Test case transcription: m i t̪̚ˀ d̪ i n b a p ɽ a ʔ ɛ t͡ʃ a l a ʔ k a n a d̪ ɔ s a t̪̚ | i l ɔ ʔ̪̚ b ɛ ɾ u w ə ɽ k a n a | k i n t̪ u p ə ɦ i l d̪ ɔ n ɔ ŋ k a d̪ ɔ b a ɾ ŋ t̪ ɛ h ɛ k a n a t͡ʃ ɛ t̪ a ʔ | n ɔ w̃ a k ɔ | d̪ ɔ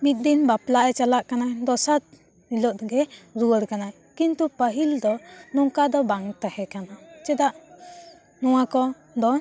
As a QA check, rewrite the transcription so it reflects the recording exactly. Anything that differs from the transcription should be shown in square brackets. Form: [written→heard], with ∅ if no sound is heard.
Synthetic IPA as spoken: m i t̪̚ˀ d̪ i n b a p [ɽ→l] a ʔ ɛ t͡ʃ a l a ʔ k a n a d̪ ɔ s a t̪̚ | i l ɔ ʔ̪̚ [b→ɡ] ɛ ɾ u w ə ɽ k a n a | k i n t̪ u p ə ɦ i l d̪ ɔ n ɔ ŋ k a d̪ ɔ b a [ɾ→∅] ŋ t̪ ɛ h ɛ k a n a t͡ʃ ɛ [t̪→d̪] a ʔ | n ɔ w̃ a k ɔ | d̪ ɔ